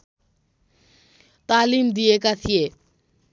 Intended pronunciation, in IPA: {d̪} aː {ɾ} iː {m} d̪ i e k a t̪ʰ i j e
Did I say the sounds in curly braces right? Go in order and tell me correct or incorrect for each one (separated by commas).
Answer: incorrect, incorrect, correct